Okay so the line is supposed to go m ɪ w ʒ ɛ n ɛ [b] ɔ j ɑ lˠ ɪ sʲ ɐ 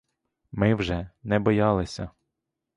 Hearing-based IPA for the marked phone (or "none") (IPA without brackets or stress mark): b